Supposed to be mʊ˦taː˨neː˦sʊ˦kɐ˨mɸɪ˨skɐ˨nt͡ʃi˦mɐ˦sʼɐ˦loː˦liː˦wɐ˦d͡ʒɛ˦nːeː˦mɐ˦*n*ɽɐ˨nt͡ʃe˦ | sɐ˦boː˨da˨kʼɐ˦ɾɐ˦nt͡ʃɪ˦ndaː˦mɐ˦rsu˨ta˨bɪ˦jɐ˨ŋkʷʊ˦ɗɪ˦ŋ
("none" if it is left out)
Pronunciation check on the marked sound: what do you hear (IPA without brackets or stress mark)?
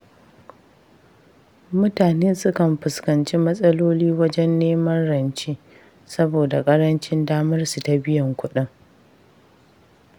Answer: n